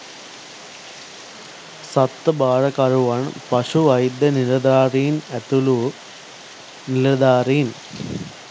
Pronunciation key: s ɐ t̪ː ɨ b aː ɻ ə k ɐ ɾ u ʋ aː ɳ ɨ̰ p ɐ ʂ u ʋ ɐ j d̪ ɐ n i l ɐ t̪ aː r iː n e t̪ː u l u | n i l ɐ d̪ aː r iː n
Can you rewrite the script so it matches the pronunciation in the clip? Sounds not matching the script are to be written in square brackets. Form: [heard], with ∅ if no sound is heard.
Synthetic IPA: s ɐ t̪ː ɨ b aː ɻ [ɐ] k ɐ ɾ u ʋ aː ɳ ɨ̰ p ɐ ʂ u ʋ ɐ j d̪ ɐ n i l ɐ [d̪] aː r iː n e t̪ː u l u | n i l ɐ d̪ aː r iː n